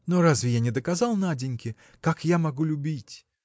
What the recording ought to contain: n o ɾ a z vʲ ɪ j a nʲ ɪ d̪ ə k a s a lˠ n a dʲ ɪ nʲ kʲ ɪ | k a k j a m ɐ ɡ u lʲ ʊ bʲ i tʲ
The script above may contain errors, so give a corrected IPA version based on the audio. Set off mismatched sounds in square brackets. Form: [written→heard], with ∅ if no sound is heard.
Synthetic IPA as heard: n o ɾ a z vʲ ɪ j a nʲ ɪ d̪ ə k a [s→z] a lˠ n a dʲ ɪ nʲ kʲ ɪ | k a k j a m ɐ ɡ u lʲ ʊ bʲ i tʲ